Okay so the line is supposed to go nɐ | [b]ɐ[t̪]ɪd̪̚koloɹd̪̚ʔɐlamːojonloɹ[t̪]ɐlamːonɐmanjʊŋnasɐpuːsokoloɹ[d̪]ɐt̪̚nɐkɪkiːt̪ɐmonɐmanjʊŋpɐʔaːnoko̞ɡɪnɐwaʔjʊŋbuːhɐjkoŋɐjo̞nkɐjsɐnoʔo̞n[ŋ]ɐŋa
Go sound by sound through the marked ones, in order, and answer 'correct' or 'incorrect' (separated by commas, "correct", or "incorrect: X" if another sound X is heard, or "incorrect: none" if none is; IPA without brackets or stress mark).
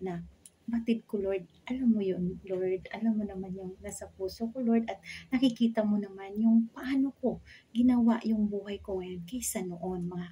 correct, correct, incorrect: d̪, correct, incorrect: m